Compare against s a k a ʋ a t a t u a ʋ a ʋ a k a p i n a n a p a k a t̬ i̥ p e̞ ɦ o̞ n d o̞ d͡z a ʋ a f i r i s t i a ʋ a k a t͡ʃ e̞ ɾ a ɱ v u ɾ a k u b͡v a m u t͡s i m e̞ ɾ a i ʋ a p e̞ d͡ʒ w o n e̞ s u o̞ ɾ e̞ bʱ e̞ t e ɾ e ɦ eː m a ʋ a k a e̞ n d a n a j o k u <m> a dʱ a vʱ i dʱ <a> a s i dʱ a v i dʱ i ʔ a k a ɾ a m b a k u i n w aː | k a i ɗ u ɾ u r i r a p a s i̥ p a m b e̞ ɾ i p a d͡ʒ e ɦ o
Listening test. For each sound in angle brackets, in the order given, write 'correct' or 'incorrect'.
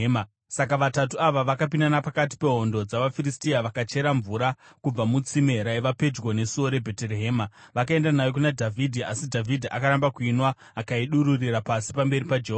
incorrect, incorrect

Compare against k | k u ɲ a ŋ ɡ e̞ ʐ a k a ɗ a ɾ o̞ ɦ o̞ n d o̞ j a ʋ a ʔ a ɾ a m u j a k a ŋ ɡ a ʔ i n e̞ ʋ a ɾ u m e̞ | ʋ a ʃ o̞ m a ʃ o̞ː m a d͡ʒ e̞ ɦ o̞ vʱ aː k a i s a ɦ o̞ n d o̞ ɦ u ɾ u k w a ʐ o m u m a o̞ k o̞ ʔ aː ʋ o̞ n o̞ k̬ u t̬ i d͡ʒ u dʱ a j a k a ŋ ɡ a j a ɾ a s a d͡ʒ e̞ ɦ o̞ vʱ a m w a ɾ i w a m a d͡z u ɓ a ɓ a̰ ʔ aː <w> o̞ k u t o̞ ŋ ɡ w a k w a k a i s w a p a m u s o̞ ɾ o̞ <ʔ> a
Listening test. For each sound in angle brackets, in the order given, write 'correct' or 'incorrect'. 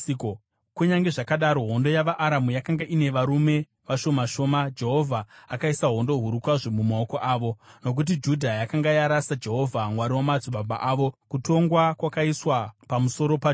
incorrect, incorrect

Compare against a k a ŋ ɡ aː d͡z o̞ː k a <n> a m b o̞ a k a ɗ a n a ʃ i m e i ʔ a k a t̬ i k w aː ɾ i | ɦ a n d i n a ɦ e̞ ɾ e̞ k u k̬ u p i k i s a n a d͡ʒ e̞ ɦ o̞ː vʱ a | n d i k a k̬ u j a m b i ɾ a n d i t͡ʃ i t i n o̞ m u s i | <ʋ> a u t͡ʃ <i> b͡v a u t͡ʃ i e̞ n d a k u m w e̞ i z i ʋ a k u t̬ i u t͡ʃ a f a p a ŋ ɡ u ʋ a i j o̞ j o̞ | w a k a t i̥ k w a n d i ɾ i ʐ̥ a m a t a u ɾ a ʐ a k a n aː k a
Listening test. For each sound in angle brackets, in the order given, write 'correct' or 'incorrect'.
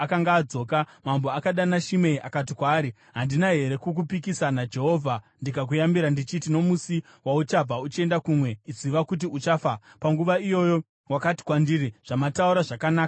incorrect, incorrect, incorrect

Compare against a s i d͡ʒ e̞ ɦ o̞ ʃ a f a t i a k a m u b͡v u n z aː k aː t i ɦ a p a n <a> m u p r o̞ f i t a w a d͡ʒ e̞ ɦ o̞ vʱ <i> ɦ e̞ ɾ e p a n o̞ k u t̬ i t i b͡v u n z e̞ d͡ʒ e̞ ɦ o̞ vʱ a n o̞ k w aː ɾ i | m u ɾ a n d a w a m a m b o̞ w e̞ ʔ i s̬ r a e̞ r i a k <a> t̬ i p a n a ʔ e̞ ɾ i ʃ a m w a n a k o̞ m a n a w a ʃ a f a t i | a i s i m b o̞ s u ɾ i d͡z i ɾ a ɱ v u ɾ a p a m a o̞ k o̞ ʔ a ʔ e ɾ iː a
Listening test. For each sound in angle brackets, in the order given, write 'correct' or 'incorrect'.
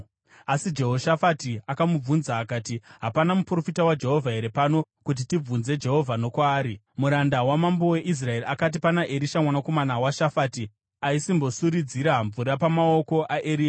correct, incorrect, correct

